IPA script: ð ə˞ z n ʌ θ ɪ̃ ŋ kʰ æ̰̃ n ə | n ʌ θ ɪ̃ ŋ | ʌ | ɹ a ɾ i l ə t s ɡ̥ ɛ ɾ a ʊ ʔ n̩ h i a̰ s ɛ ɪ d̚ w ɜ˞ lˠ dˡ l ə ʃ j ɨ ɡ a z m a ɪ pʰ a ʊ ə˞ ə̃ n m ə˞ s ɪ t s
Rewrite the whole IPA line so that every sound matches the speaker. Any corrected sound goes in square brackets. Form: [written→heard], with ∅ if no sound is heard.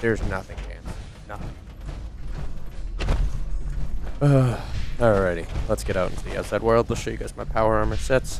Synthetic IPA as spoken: ð ə˞ z n ʌ θ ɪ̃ ŋ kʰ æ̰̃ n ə | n ʌ θ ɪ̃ ŋ | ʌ | ɹ [a→ɛ] ɾ i l ə t s ɡ̥ ɛ ɾ a ʊ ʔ n̩ [h→s] i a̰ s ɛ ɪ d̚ w ɜ˞ lˠ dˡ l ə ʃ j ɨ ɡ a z m a ɪ pʰ a ʊ ə˞ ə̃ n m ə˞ s ɪ t s